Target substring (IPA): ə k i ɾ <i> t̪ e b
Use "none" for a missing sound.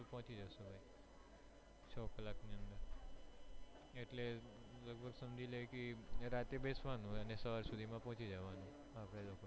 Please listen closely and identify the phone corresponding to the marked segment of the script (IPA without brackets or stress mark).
a